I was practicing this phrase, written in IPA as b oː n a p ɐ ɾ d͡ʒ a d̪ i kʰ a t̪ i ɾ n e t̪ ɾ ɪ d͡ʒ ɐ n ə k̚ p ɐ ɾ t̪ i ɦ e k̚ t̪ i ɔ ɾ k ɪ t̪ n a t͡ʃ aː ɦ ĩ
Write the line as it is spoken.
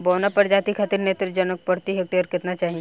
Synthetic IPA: b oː n a p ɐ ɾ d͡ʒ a t̪ i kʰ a t̪ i ɾ n e t̪ ɾ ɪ d͡ʒ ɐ n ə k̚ p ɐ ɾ t̪ i ɦ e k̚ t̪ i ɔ ɾ k ɪ t̪ n a t͡ʃ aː ɦ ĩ